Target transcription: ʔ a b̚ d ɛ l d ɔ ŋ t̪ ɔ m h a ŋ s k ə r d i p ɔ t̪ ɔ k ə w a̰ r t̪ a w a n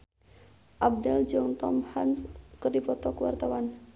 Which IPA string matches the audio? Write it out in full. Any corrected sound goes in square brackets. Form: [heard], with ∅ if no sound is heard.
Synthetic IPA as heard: ʔ a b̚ d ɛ l [d͡ʒ] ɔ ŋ t̪ ɔ m h a [n] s k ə r d i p ɔ t̪ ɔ k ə w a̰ r t̪ a w a n